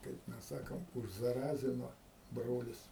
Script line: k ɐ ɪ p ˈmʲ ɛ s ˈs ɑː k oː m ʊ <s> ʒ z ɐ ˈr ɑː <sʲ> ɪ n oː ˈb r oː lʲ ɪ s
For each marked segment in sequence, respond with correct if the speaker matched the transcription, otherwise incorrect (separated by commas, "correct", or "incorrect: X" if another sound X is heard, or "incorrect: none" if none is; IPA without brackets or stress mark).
incorrect: none, incorrect: zʲ